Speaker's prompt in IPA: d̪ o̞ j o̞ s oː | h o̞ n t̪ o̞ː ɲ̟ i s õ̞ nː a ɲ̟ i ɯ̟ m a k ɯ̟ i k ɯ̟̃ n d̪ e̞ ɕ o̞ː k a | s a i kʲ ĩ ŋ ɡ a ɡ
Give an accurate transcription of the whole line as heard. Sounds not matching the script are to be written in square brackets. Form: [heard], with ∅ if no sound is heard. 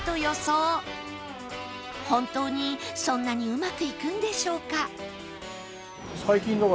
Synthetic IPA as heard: [t̪] o̞ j o̞ s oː | h [õ̞] n t̪ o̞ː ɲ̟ i s õ̞ nː a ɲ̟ i ɯ̟ m a k ɯ̟ i k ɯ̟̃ n d̪ e̞ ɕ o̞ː k a | s a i kʲ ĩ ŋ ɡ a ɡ